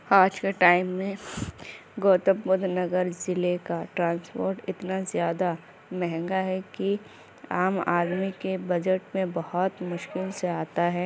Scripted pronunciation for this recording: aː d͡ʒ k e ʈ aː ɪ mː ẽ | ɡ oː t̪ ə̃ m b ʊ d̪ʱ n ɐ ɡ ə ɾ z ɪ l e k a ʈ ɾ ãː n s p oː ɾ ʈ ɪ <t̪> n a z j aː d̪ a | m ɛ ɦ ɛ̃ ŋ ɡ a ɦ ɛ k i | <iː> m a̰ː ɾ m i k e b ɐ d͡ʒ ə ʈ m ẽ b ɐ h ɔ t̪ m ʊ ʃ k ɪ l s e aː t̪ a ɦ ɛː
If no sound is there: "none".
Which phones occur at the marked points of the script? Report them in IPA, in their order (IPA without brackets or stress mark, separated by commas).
t̪, aː